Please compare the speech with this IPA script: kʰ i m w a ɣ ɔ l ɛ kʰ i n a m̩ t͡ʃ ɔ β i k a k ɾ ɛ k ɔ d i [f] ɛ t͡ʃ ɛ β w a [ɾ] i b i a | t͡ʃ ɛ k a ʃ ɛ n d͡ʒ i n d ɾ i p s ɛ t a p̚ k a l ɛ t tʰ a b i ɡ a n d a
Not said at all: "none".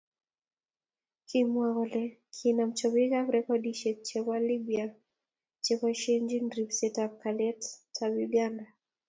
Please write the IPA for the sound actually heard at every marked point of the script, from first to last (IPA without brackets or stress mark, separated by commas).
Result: ʃ, l